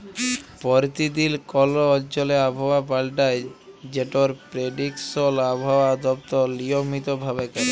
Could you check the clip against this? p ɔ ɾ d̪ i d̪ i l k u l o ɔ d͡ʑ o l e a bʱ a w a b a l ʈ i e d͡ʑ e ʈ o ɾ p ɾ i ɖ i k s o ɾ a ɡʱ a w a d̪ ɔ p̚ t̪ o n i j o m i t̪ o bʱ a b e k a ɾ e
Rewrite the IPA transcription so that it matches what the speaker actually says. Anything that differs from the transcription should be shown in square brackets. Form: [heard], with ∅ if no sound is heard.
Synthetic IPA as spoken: p ɔ ɾ [t̪] i d̪ i l k [ɔ] l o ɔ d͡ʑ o l e a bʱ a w a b a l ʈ [a] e d͡ʑ e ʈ o ɾ p ɾ [e] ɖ i k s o [l] a [bʱ] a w a d̪ ɔ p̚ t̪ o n i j o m i t̪ o bʱ a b e k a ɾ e